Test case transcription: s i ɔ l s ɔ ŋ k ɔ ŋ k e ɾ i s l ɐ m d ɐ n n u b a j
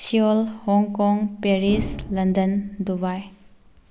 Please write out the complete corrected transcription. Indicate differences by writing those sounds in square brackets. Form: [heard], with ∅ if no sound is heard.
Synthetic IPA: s i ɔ l [h] ɔ ŋ k ɔ ŋ [p] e ɾ i s l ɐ [n] d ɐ n [d] u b a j